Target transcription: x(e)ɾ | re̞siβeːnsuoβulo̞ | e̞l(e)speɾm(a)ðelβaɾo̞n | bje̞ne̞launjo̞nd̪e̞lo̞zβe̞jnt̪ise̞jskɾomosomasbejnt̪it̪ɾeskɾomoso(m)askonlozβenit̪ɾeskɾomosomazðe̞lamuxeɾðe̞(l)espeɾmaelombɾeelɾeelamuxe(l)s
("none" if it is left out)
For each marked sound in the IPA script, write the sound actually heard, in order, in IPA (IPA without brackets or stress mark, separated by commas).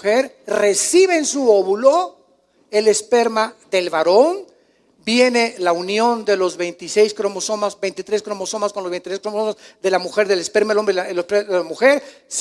e, e, a, m, l, ɾ